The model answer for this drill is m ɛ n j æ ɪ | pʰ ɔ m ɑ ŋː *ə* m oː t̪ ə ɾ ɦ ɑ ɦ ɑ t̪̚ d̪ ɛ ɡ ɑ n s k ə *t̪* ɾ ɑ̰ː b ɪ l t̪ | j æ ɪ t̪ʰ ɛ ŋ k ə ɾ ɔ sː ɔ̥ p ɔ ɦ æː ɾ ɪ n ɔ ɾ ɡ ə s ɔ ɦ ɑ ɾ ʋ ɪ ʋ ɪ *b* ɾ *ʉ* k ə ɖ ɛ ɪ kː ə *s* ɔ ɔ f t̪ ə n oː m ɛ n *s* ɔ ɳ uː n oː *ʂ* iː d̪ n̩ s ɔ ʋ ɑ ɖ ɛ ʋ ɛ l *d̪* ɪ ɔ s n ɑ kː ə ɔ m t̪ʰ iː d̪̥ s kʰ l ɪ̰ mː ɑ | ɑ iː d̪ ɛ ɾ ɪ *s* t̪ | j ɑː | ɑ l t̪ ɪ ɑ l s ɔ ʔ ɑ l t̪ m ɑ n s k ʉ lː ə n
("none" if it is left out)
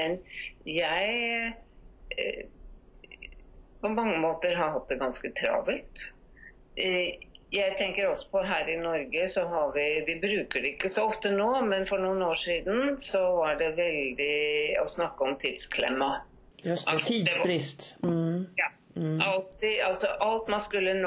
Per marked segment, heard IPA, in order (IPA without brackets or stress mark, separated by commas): ə, t̪ʰ, b, ʉː, s, f, ʂ, d̪, s